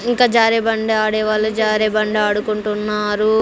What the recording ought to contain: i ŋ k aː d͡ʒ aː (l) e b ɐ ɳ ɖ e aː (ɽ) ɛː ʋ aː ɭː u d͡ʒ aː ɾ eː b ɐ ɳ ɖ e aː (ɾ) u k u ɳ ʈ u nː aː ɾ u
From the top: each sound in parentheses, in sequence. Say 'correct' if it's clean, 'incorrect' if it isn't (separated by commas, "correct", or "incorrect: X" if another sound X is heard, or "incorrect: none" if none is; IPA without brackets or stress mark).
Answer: incorrect: ɾ, correct, incorrect: ɽ